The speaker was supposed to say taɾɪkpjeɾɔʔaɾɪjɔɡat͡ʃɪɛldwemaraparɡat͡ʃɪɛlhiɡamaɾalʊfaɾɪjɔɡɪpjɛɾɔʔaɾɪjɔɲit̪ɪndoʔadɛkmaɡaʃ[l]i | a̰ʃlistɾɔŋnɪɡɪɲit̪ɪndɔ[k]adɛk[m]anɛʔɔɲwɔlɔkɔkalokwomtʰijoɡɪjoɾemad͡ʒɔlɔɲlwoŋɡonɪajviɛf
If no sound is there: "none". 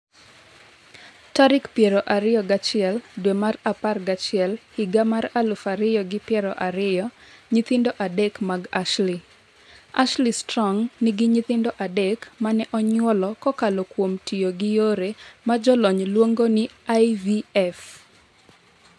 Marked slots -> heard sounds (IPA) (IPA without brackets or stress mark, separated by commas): l, ʔ, m